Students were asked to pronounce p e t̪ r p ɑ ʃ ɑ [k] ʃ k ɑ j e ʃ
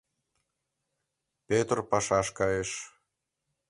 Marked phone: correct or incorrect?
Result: incorrect